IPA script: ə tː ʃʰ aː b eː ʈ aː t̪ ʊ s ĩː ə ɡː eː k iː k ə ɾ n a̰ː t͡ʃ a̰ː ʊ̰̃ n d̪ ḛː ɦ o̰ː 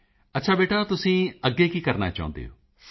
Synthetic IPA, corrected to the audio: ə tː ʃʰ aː b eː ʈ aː t̪ ʊ s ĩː ə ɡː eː k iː k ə ɾ n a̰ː t͡ʃ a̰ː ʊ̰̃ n d̪ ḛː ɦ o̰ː